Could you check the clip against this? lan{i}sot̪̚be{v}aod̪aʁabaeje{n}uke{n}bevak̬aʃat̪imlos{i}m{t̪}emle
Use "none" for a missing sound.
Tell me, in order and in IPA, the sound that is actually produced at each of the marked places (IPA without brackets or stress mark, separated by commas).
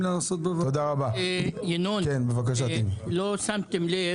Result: a, v, n, n, a, t̪